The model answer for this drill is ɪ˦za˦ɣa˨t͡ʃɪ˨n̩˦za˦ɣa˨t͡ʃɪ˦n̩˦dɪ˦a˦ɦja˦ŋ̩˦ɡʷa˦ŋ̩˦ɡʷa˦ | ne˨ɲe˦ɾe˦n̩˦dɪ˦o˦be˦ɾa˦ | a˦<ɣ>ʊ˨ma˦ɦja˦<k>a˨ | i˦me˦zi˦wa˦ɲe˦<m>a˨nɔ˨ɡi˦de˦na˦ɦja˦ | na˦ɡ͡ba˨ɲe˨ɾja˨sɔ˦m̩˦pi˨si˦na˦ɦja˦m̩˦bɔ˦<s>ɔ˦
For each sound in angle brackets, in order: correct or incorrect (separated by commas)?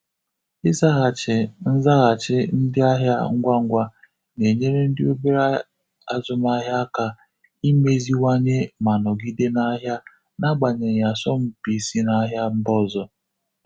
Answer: incorrect, correct, correct, incorrect